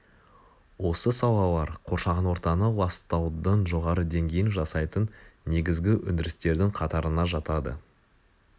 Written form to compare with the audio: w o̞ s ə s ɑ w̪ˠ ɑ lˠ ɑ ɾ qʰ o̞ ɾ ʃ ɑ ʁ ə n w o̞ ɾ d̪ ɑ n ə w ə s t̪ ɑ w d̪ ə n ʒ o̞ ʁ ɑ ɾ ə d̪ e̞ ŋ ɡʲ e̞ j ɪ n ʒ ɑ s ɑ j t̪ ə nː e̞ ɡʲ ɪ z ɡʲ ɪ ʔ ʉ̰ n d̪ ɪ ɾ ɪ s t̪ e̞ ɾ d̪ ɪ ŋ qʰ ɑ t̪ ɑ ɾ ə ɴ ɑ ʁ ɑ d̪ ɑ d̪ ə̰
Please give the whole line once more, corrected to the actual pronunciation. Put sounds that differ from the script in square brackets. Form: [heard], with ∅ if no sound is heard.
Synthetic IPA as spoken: w o̞ s ə s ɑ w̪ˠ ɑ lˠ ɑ ɾ qʰ o̞ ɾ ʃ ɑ ʁ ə n w o̞ ɾ [t̪] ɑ n ə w [ɑ] s t̪ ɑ w d̪ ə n ʒ o̞ ʁ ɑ ɾ ə d̪ e̞ ŋ ɡʲ e̞ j ɪ n ʒ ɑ s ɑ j t̪ ə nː e̞ ɡʲ ɪ z ɡʲ ɪ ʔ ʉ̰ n d̪ ɪ ɾ ɪ s t̪ e̞ ɾ d̪ ɪ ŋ qʰ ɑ t̪ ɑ ɾ ə [n] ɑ [ʒ] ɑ [t̪] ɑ d̪ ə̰